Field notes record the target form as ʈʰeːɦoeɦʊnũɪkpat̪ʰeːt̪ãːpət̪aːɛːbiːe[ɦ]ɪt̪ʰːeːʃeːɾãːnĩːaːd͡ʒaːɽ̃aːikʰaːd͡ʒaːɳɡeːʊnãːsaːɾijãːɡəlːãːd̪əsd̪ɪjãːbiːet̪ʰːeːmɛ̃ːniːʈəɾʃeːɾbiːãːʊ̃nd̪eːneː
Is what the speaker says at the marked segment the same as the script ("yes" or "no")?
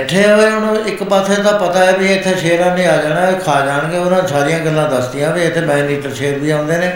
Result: no